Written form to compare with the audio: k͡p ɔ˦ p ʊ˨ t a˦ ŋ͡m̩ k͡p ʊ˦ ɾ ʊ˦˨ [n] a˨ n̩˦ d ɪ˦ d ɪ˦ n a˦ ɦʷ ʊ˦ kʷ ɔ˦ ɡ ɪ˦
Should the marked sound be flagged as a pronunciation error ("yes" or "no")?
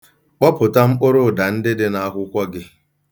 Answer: yes